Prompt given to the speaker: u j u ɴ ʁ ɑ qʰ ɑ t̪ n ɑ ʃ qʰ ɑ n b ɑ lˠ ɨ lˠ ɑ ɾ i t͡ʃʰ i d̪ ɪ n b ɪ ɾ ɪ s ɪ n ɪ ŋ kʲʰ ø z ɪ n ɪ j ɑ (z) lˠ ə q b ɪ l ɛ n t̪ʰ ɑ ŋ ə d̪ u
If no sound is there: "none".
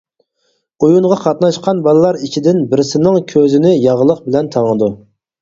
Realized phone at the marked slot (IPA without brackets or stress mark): ʁ